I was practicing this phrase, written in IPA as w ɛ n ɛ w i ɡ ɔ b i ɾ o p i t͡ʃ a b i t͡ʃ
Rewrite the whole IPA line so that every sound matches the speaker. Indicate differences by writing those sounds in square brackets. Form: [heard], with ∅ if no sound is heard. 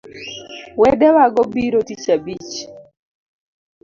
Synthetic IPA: w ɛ [d] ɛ w [a] ɡ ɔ b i ɾ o [t] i t͡ʃ a b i t͡ʃ